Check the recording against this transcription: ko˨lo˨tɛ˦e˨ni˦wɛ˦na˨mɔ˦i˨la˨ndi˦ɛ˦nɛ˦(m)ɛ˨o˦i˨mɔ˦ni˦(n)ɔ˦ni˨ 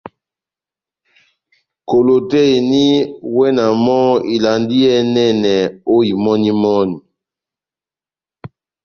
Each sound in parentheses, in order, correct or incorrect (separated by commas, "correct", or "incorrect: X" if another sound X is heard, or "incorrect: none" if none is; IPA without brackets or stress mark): incorrect: n, incorrect: m